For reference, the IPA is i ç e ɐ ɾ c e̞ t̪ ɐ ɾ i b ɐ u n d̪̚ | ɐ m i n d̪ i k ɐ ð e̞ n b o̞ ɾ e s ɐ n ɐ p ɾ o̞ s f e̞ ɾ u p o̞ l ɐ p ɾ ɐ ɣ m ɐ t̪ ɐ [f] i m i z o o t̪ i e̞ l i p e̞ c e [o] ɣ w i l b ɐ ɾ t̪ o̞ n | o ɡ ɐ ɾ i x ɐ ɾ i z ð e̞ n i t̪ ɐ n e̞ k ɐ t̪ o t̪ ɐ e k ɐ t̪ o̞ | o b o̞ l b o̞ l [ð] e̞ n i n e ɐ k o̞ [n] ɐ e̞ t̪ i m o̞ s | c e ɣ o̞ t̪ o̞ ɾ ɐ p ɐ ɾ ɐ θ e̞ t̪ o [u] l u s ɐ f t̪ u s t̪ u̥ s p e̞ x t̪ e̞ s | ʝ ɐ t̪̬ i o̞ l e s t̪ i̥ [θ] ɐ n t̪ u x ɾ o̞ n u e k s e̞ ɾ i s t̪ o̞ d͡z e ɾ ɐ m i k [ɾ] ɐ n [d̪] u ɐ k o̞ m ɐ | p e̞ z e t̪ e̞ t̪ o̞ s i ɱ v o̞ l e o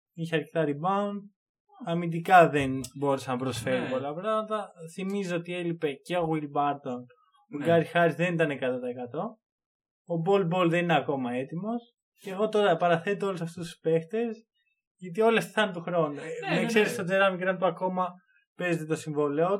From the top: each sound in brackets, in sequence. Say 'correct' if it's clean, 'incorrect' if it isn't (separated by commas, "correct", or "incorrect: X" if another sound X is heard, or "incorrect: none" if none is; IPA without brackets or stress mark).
incorrect: θ, correct, correct, incorrect: m, incorrect: o, correct, correct, incorrect: t̪